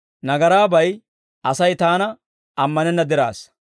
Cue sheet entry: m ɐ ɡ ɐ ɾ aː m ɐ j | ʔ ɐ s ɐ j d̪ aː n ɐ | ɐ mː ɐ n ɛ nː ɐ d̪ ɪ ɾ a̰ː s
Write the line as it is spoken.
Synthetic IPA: n ɐ ɡ ɐ ɾ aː b ɐ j | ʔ ɐ s ɐ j t̪ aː n ɐ | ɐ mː ɐ n ɛ nː ɐ d̪ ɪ ɾ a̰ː s